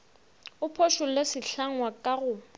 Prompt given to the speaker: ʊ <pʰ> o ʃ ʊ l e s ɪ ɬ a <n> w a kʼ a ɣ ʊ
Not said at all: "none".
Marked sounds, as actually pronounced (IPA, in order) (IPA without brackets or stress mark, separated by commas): pʰ, ŋ